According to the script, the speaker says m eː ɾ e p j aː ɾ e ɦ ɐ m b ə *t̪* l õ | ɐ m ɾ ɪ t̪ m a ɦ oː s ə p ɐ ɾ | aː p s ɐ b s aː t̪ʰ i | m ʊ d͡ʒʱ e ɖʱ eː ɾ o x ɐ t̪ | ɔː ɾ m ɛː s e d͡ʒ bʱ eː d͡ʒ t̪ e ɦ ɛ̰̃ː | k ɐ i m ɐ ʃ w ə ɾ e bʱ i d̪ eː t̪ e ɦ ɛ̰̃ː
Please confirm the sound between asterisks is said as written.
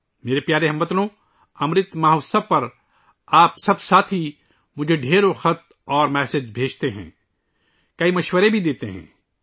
yes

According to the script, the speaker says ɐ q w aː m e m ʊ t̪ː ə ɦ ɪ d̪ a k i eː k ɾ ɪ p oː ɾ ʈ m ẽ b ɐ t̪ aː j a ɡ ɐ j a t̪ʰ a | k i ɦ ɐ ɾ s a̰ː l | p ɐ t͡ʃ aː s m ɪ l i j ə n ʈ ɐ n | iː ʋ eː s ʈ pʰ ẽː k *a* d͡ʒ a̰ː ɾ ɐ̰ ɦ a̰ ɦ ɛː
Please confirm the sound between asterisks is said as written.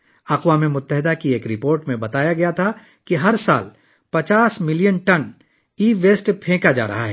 yes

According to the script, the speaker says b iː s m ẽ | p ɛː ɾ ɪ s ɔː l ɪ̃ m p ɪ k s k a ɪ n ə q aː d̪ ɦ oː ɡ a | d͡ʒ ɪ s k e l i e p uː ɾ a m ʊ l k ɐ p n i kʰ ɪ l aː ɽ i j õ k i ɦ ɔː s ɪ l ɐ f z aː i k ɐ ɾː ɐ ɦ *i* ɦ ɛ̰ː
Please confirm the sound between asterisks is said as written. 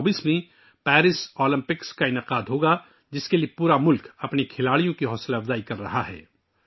no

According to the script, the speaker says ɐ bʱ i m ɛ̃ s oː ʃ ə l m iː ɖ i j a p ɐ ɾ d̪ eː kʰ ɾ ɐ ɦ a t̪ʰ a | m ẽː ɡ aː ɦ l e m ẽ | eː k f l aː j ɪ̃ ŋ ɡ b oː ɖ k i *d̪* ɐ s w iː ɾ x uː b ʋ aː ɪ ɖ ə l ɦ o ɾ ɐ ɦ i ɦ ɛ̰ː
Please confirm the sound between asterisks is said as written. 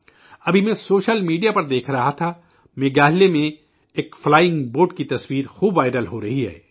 no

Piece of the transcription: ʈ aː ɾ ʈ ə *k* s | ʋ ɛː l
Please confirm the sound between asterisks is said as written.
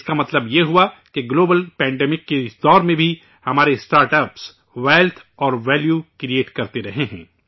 no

